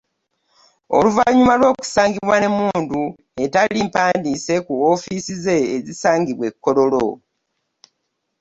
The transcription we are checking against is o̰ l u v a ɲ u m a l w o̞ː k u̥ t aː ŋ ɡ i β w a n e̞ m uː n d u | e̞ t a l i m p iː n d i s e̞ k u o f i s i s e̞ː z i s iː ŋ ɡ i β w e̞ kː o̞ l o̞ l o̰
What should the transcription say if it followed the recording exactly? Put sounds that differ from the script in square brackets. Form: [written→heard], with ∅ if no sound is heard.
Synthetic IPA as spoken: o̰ l u v a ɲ u m a l w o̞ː k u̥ [t→s] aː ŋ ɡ i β w a n e̞ m uː n d u | e̞ t a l i m p [iː→aː] n d i s e̞ k u o f i s i [s→z] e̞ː z i s [iː→aː] ŋ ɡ i β w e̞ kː o̞ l o̞ l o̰